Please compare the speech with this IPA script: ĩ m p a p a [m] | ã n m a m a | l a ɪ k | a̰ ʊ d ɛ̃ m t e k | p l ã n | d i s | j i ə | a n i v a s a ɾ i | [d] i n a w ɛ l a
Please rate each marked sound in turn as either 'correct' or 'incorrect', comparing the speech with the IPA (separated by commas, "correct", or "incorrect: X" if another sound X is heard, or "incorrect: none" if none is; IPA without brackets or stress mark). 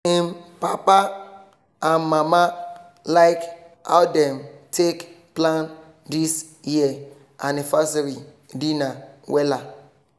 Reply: incorrect: none, correct